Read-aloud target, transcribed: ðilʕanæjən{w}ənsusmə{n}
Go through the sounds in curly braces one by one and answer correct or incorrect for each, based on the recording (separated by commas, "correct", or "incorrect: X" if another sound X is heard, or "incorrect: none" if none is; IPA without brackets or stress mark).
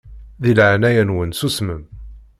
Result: correct, incorrect: m